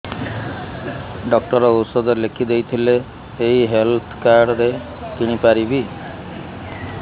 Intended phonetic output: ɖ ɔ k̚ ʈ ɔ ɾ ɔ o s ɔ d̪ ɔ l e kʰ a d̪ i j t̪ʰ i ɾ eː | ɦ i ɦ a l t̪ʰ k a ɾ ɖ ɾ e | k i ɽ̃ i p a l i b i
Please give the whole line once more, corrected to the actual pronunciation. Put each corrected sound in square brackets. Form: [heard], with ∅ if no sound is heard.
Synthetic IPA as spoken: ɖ ɔ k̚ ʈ ɔ ɾ ɔ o s ɔ d̪ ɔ l e kʰ [i] d̪ [e] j t̪ʰ i [l] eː | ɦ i ɦ [e] l t̪ʰ k a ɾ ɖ ɾ e | k i ɽ̃ i p a [ɾ] i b i

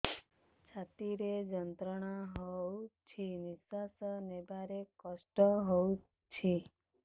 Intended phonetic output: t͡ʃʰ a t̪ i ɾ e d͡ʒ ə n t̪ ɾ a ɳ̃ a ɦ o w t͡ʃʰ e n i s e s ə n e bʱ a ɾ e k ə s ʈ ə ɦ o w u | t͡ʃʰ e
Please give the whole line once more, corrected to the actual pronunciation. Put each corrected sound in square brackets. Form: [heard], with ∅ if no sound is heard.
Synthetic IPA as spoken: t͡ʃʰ a t̪ i ɾ e d͡ʒ ə n t̪ ɾ [ə] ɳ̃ a ɦ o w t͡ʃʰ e n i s [a] s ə n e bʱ a ɾ e k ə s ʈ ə ɦ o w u | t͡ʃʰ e

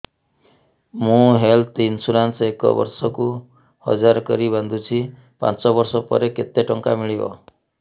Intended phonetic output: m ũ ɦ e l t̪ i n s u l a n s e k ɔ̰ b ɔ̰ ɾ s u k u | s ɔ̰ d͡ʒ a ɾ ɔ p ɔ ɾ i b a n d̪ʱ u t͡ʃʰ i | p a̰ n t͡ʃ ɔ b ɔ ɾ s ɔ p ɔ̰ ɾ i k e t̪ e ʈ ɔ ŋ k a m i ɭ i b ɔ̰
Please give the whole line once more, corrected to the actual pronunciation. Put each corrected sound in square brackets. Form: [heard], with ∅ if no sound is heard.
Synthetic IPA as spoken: m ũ ɦ e l t̪ i n s u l a n s e k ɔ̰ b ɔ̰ ɾ s [ɔ] k u | [h] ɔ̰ d͡ʒ a ɾ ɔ [k] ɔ ɾ i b a n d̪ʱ u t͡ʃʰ i | p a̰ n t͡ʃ ɔ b ɔ ɾ s ɔ p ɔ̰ ɾ [e] k e t̪ e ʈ ɔ ŋ k a m i ɭ i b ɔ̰

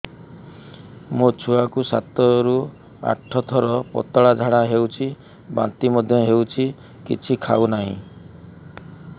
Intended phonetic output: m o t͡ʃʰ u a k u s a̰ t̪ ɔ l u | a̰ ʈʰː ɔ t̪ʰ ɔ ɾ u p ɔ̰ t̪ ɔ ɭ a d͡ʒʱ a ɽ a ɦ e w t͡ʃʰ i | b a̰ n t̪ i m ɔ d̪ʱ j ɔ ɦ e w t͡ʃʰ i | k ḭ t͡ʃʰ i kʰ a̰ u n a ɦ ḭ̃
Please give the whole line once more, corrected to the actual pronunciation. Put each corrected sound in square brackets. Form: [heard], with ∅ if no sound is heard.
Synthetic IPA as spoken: m o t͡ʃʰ u a k u s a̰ t̪ ɔ [ɾ] u | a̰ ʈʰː ɔ t̪ʰ ɔ ɾ [ɔ] p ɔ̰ t̪ ɔ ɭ a d͡ʒʱ a ɽ a ɦ e w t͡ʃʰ i | b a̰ n t̪ i m ɔ d̪ʱ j ɔ ɦ e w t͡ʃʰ i | k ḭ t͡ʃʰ i kʰ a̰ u n a ɦ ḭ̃

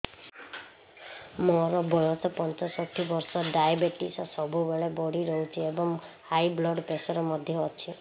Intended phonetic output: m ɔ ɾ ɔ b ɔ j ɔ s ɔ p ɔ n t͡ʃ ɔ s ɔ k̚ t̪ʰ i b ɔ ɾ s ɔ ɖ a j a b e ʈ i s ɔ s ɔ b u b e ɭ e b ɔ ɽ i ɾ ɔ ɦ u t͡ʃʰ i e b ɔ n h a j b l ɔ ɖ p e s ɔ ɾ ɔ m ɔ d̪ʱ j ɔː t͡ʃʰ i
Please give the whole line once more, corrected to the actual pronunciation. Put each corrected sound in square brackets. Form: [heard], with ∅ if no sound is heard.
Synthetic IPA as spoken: m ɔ ɾ ɔ b ɔ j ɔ s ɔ p ɔ n t͡ʃ ɔ s ɔ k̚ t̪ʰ i b ɔ ɾ s ɔ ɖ a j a b e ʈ i s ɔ s ɔ b u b e ɭ e b ɔ ɽ i ɾ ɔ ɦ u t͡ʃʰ i e b ɔ [ŋ] h a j b l ɔ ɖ p e s ɔ ɾ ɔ m ɔ d̪ʱ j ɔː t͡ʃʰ i

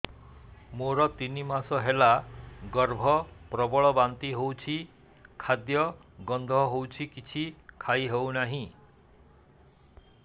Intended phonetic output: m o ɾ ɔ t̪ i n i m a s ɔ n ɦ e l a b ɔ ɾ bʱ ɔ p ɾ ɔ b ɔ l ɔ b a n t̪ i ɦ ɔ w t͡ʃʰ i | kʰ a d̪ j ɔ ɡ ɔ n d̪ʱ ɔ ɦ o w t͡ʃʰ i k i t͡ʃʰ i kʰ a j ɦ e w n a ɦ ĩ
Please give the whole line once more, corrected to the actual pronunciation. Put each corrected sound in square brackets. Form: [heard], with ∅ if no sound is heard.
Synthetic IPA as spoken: m o ɾ ɔ t̪ i n i m a s ɔ [∅] ɦ e l a [ɡ] ɔ ɾ bʱ ɔ p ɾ ɔ b ɔ [ɭ] ɔ b a n t̪ i ɦ [o] w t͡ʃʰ i | kʰ a d̪ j ɔ ɡ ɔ n d̪ʱ ɔ ɦ o w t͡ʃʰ i k i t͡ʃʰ i kʰ a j ɦ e w n a ɦ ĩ

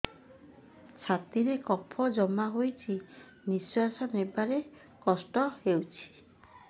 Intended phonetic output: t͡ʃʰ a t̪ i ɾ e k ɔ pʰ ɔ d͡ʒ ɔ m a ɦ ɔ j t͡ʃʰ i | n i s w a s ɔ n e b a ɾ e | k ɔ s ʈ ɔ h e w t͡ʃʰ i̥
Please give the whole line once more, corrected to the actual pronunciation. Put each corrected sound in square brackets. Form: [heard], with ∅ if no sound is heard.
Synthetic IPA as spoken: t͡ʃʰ a t̪ i ɾ e k ɔ pʰ ɔ d͡ʒ ɔ m a ɦ [o] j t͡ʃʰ i | n i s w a s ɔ n e b a ɾ e | k ɔ s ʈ ɔ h e w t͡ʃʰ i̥

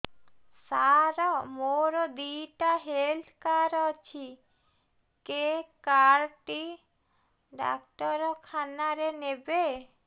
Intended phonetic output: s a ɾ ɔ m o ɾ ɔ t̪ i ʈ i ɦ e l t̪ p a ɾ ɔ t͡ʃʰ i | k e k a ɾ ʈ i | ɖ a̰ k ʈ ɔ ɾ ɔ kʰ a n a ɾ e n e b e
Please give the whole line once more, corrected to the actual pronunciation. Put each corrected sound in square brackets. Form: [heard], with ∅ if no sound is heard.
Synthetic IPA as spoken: s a ɾ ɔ m o ɾ ɔ [d̪] i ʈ [a] ɦ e l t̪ [k] a ɾ ɔ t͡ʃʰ i | k e k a ɾ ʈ i | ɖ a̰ k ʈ ɔ ɾ ɔ kʰ a n a ɾ e n e b e

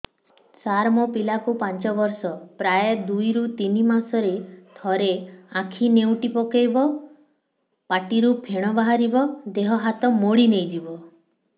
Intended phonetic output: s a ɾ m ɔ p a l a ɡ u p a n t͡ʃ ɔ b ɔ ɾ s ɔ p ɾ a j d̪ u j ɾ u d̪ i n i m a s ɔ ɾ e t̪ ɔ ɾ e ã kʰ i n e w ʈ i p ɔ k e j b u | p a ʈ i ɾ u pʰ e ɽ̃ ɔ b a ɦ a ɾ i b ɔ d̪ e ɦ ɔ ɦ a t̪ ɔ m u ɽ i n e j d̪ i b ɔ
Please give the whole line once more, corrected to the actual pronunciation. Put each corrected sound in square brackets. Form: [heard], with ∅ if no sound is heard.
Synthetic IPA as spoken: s a ɾ m ɔ p [i] l a [k] u p a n t͡ʃ ɔ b ɔ ɾ s ɔ p ɾ a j d̪ u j ɾ u [t̪] i n i m a s ɔ ɾ e [t̪ʰ] ɔ ɾ e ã kʰ i n e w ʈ i p ɔ k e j b [ɔ] | p a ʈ i ɾ u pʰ e ɽ̃ ɔ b a ɦ a ɾ i b ɔ d̪ e ɦ ɔ ɦ a t̪ ɔ m [o] ɽ i n e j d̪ i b ɔ

